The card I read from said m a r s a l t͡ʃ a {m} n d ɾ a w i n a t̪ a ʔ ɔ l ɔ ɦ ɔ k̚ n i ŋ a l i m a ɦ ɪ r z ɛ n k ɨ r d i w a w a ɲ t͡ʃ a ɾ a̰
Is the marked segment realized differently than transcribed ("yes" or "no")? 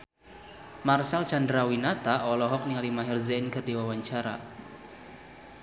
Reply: yes